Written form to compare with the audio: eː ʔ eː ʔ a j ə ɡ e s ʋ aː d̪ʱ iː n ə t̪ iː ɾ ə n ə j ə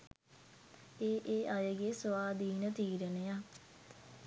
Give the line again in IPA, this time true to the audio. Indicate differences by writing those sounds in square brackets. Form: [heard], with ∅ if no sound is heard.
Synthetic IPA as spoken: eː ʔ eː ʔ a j ə ɡ e s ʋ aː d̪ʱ iː n ə t̪ iː ɾ ə n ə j [a]